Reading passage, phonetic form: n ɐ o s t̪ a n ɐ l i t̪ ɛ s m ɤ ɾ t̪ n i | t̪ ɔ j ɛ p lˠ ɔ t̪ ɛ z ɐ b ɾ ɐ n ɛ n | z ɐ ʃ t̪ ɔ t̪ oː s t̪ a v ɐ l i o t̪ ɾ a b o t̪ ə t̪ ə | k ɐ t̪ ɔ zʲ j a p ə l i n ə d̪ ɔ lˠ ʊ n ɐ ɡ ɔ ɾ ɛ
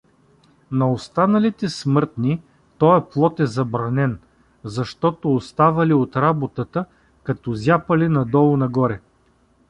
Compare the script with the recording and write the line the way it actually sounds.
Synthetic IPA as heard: n ɐ o s t̪ a n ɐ l i t̪ ɛ s m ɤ ɾ t̪ n i | t̪ ɔ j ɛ p lˠ ɔ t̪ ɛ z ɐ b ɾ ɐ n ɛ n | z ɐ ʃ t̪ ɔ t̪ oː s t̪ a v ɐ l i o t̪ ɾ a b o t̪ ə t̪ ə | k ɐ t̪ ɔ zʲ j a p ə l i n ɐ d̪ ɔ lˠ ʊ n ɐ ɡ ɔ ɾ ɛ